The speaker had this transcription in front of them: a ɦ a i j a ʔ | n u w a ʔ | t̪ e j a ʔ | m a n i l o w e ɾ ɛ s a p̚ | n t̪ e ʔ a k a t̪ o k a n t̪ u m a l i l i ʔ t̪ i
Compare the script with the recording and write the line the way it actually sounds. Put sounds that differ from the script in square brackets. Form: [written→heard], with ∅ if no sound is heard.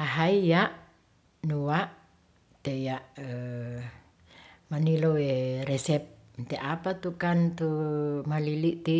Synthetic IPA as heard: a ɦ a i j a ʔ | n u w a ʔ | t̪ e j a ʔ | m a n i l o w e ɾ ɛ s [a→ɛ] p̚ | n t̪ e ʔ a [k→p] a t̪ [o→u] k a n t̪ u m a l i l i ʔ t̪ i